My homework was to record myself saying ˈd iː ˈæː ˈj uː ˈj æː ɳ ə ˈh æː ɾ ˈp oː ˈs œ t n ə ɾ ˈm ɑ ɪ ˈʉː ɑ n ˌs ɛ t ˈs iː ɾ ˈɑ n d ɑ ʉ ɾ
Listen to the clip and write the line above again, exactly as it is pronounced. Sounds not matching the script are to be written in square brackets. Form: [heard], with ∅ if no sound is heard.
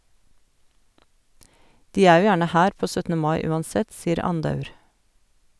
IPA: ˈd iː ˈæː ˈj uː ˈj æː ɳ ə ˈh æː ɾ ˈp oː ˈs œ t n ə [∅] ˈm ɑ ɪ ˈʉː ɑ n ˌs ɛ t ˈs iː ɾ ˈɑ n d ɑ ʉ ɾ